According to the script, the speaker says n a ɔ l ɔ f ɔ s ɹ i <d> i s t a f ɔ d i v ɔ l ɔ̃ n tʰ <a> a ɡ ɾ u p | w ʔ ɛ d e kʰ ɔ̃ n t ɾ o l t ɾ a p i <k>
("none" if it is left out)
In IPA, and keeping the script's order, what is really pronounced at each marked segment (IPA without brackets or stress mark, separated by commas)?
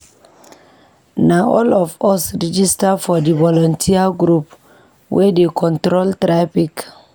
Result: d͡ʒ, i, k